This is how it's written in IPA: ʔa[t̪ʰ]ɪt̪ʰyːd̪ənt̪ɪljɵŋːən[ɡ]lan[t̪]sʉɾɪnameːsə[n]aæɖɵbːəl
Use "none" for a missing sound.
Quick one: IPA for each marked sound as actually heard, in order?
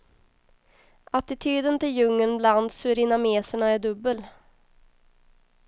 t̪, b, d̪, ɳ

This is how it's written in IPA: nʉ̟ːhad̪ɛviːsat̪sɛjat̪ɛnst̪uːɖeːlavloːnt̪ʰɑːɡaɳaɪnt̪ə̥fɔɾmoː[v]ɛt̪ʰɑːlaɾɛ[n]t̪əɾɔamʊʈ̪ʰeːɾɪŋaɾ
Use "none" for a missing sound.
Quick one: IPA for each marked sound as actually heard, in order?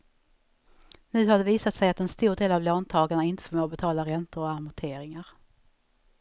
b, n

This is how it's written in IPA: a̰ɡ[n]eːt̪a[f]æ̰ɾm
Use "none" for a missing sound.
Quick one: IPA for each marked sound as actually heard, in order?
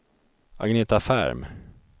n, f

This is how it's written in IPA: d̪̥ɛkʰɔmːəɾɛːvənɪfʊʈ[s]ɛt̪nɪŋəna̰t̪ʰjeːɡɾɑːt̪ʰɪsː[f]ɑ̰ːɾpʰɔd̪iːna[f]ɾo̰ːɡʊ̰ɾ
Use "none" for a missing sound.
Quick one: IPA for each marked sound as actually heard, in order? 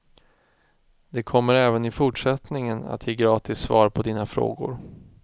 ʂ, v, f

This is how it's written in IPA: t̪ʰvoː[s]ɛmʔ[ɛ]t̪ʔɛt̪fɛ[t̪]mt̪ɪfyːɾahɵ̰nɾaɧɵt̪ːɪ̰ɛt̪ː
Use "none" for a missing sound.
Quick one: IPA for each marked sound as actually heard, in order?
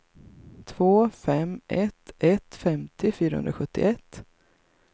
f, ɛ, none

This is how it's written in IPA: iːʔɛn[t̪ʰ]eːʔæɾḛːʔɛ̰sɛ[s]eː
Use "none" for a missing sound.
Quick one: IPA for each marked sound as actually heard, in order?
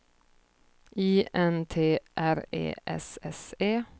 t̪ʰ, s

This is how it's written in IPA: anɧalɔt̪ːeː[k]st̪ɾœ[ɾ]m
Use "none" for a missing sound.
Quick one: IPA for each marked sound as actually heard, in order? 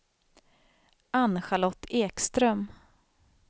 k, none

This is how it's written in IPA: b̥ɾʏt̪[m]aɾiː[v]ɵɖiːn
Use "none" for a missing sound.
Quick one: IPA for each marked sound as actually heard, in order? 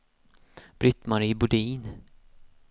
m, b

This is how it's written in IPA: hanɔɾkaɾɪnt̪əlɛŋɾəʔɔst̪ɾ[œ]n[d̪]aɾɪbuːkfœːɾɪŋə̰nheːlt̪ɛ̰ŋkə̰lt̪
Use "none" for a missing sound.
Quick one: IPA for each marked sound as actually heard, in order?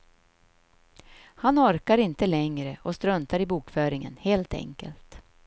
œ, t̪

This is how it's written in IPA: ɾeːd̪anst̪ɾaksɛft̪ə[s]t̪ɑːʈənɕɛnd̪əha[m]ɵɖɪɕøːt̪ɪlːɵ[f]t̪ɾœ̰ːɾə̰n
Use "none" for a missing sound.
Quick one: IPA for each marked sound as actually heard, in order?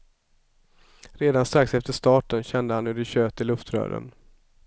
ʂ, n, f

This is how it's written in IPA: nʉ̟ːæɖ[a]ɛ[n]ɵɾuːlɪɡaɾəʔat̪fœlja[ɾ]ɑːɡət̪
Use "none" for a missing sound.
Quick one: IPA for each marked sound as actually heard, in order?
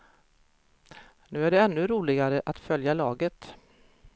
ɛ, nː, l

